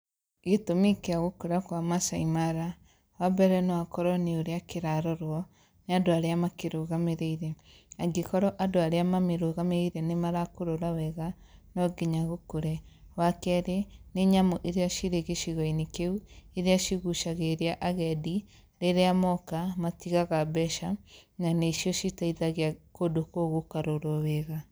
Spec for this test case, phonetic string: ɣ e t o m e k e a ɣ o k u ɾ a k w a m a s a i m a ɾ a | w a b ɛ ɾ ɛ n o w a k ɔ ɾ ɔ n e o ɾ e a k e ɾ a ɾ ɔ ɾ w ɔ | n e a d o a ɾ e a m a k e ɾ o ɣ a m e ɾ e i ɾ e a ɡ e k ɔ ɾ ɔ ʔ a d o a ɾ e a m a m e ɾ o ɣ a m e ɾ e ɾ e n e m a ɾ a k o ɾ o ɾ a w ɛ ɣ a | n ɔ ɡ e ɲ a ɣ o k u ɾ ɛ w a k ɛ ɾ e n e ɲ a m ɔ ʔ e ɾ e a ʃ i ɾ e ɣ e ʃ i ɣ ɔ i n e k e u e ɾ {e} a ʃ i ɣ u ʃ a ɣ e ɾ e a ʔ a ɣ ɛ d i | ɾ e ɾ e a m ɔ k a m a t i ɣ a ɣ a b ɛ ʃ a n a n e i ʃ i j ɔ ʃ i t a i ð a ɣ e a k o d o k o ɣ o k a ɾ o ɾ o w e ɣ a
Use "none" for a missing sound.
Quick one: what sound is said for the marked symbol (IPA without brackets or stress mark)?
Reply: e